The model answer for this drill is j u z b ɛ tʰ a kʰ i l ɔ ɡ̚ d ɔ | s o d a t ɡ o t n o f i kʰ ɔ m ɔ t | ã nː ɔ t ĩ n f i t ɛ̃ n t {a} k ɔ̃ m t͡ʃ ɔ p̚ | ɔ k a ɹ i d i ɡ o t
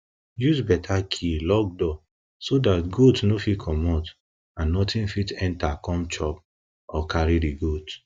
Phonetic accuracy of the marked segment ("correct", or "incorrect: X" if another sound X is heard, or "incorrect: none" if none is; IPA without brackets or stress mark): correct